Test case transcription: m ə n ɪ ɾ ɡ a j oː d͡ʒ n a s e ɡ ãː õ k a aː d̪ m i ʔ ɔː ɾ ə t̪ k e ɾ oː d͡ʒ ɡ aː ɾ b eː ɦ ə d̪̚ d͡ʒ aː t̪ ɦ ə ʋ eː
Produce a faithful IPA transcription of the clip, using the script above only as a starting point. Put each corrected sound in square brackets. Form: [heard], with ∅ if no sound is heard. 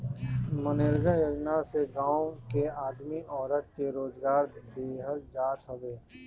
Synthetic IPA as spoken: m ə n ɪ ɾ ɡ a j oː d͡ʒ n a s e ɡ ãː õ k [e] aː d̪ m i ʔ ɔː ɾ ə t̪ k e ɾ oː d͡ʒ ɡ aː ɾ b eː ɦ ə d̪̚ d͡ʒ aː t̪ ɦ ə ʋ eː